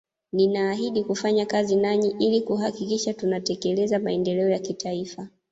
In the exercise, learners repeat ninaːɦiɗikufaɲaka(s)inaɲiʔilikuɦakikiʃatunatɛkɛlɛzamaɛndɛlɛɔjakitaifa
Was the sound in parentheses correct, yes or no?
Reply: no